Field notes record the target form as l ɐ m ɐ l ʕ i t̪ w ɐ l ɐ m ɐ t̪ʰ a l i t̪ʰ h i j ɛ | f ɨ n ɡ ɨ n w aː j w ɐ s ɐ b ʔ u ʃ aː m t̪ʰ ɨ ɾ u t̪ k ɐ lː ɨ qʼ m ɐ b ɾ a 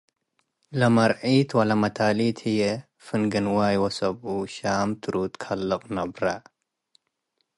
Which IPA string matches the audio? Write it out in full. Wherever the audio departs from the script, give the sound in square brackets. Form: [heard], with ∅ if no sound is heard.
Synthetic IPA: l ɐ m ɐ [ɾ] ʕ i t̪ w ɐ l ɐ m ɐ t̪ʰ a l i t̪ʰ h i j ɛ | f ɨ n ɡ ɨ n w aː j w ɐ s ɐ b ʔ u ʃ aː m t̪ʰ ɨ ɾ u t̪ [kʰ] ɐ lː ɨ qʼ [n] ɐ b ɾ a